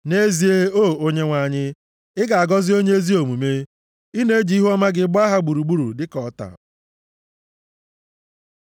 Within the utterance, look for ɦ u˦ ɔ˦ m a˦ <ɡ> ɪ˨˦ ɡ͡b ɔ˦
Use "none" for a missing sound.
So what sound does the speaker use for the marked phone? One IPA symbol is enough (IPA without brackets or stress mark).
ɡ